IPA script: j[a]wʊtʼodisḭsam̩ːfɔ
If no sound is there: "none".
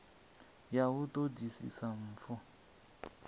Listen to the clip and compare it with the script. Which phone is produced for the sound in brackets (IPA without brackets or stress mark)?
a